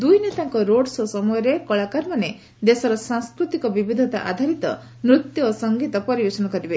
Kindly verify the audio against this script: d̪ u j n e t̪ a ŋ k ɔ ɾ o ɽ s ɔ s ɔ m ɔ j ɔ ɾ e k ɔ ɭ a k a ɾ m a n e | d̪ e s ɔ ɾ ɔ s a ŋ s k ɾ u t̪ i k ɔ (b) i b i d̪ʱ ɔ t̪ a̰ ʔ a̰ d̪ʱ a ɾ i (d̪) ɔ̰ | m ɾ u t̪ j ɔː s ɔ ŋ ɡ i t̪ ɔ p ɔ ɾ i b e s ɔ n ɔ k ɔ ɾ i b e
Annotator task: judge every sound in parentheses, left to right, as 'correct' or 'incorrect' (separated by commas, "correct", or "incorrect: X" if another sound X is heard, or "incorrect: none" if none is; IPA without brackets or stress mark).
correct, incorrect: t̪